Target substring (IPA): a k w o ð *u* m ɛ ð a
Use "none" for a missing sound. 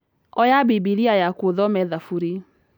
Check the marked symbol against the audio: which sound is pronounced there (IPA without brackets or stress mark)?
ɔ